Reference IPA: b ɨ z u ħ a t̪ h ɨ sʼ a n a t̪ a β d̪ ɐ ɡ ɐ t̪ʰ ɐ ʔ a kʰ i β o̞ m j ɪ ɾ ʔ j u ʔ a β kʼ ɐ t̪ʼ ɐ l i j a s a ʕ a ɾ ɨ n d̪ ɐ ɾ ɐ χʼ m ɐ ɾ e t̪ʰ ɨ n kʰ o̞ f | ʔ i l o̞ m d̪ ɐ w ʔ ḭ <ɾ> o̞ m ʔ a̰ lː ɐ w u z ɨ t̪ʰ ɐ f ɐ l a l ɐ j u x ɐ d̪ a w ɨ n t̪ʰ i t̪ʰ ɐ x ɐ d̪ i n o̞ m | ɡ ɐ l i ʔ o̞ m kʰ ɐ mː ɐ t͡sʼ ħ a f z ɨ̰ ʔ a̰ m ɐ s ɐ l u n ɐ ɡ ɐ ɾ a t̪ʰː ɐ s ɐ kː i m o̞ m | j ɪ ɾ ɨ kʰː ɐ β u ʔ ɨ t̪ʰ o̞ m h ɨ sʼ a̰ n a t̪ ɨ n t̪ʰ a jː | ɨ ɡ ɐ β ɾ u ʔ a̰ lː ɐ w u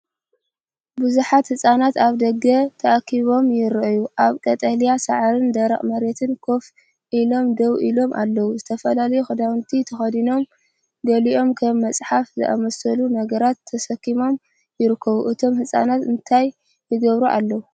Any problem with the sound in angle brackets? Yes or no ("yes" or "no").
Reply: yes